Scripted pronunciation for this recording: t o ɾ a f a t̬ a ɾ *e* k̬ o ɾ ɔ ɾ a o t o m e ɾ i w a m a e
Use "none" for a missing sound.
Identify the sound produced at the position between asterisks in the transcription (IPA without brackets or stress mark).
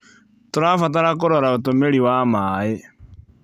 a